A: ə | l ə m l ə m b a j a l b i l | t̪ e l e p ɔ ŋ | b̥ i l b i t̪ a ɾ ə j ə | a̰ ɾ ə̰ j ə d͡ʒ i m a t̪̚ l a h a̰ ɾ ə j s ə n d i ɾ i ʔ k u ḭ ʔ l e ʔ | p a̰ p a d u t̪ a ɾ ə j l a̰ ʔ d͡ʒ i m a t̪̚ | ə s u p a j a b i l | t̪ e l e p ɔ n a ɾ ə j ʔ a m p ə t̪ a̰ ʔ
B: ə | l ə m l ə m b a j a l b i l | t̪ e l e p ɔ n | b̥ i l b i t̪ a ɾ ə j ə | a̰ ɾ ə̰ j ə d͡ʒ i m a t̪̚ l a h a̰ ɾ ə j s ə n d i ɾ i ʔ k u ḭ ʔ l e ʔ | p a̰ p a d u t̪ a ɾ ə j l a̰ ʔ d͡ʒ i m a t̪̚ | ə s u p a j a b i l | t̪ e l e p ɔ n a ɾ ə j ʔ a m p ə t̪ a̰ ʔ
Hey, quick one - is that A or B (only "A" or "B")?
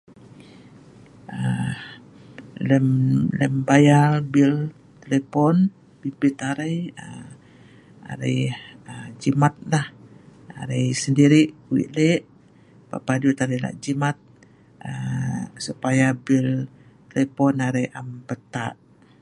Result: B